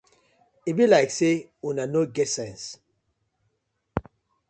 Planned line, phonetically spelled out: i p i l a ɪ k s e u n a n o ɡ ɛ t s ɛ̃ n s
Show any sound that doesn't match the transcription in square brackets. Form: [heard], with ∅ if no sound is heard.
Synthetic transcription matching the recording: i [b] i l a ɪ k s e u n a n o ɡ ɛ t s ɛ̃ n s